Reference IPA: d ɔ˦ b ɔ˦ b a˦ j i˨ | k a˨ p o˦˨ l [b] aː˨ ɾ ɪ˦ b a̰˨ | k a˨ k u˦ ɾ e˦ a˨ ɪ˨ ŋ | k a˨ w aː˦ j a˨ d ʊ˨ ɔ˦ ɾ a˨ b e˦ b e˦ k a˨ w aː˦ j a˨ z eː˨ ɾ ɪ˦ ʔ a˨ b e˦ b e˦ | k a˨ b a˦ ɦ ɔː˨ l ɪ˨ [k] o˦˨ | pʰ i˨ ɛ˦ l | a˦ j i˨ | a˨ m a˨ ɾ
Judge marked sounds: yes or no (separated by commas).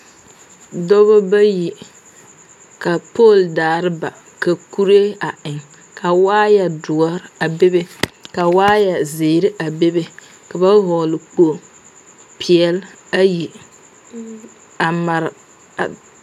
no, no